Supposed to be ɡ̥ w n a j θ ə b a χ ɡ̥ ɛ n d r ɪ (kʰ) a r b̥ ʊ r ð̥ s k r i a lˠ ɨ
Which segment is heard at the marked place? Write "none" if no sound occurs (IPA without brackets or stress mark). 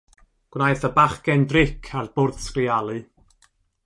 kʰ